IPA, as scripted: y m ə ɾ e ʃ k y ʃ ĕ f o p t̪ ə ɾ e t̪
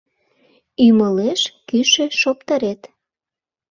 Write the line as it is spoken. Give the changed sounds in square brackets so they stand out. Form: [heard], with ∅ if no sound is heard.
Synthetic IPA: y m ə [l] e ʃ k y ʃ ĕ [ʃ] o p t̪ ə ɾ e t̪